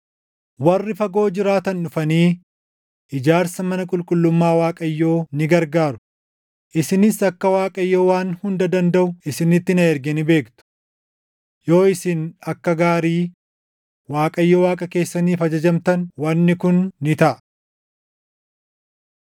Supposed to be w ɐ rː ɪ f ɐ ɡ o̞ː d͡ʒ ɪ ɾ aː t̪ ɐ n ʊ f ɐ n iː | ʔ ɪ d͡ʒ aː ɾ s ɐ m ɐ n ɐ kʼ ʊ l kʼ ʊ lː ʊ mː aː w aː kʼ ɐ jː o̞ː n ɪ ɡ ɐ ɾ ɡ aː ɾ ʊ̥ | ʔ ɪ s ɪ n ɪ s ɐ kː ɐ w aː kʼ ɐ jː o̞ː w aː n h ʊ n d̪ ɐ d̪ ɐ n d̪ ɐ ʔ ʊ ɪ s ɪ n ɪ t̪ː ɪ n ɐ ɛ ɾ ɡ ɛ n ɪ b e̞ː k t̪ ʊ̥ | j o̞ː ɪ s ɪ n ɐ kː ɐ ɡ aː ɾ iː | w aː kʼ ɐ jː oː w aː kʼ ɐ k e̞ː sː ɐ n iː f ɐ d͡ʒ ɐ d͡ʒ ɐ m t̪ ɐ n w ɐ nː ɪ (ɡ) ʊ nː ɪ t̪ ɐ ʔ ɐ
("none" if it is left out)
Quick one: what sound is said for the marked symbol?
k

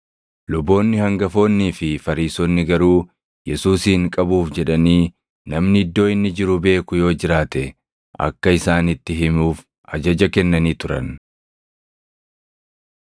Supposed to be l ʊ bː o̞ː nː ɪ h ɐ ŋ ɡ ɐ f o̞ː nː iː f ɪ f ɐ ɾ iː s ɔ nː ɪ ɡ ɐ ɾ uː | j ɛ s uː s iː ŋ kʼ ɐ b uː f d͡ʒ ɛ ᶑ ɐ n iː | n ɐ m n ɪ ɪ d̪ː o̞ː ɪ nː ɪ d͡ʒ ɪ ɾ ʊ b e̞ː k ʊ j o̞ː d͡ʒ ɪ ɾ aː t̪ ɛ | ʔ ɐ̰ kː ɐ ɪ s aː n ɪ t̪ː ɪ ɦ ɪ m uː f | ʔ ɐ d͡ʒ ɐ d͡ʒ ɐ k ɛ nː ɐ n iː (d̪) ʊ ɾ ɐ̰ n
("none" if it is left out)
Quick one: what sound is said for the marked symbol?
t̪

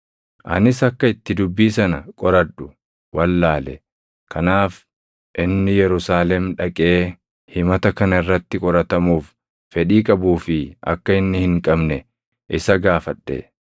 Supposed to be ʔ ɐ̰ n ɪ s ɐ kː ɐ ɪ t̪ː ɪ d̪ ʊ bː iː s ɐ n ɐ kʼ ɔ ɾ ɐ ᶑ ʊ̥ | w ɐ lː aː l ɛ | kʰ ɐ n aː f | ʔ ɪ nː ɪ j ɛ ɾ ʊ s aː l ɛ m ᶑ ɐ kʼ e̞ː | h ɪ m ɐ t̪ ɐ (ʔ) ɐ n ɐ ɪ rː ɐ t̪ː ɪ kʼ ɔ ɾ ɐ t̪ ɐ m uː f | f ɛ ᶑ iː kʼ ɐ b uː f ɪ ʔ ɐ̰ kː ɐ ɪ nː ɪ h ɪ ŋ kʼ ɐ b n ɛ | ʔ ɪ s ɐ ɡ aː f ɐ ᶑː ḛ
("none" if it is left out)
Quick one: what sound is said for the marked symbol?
k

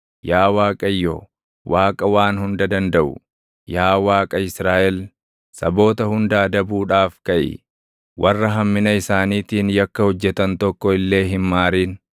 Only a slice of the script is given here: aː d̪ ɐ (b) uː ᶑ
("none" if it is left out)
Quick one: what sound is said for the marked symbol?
b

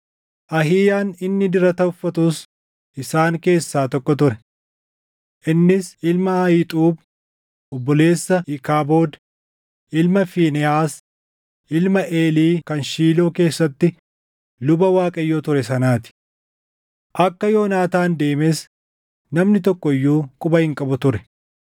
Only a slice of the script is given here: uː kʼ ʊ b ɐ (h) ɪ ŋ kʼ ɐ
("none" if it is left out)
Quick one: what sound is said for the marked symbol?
h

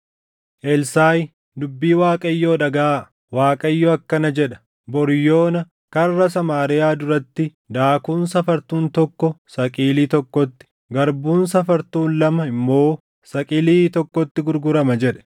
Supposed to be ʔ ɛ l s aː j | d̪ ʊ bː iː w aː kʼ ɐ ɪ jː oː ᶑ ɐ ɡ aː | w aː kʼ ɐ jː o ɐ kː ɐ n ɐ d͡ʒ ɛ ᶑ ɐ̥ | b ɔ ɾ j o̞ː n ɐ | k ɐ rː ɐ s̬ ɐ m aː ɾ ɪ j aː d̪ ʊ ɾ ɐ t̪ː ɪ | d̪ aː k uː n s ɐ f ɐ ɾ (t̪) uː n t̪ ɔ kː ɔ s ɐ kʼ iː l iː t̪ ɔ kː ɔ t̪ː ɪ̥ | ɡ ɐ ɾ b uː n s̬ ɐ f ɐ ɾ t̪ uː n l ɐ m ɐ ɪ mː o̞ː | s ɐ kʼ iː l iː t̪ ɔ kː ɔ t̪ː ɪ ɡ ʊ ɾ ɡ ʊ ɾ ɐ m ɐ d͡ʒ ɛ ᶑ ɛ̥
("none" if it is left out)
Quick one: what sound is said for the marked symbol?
t̪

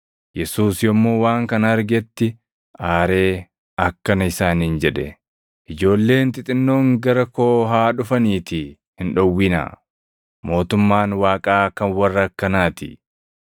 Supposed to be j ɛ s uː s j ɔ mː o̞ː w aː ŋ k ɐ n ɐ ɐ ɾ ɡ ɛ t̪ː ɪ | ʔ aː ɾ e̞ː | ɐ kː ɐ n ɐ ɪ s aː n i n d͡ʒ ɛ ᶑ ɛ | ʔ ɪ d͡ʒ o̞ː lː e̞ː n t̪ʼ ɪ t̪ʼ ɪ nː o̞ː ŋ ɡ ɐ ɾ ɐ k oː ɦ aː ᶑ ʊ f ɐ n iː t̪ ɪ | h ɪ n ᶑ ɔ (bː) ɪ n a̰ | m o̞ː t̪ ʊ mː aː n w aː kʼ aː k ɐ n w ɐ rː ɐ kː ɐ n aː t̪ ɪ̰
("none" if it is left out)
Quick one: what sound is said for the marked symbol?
wː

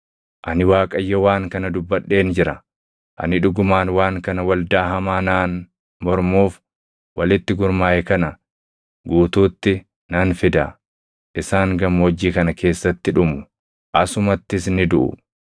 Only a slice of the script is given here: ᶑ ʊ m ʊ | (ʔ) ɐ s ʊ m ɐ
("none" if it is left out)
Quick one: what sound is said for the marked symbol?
ʔ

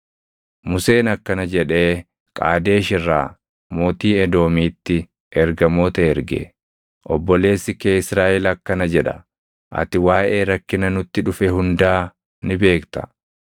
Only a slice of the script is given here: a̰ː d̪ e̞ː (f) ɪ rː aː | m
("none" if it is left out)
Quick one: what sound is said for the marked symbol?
ʃ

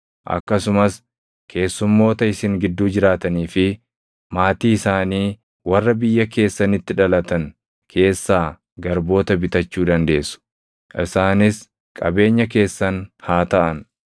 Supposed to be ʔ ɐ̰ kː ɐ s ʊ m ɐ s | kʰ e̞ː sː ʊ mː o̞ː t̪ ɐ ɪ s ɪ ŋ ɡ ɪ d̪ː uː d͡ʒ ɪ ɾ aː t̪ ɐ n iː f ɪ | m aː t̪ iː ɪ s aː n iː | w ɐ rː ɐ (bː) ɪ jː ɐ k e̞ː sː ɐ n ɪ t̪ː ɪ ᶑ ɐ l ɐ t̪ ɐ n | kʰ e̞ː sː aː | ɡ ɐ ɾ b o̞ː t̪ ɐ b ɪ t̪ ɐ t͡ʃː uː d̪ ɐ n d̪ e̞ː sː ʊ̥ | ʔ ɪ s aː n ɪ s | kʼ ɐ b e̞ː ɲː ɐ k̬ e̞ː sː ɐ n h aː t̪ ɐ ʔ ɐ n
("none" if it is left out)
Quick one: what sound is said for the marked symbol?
b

